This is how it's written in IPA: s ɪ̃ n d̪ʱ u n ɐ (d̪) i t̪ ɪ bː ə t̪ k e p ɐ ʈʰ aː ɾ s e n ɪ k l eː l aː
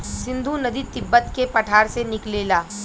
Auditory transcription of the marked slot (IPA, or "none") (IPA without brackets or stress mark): d̪